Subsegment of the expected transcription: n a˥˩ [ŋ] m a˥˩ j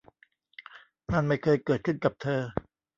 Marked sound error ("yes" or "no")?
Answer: yes